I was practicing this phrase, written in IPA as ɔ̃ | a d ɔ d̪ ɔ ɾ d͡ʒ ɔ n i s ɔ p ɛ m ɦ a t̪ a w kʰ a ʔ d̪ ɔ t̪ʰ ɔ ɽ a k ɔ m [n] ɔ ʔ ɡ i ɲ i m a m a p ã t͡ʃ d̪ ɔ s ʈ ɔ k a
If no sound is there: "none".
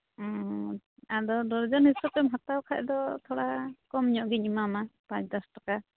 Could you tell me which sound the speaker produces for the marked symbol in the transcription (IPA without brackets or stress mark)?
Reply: ɲ